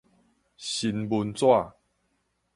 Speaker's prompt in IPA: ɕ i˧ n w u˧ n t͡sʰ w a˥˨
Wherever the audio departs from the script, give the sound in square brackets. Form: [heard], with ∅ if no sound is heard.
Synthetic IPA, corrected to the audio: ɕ i˧ n [b] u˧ n [t͡s] w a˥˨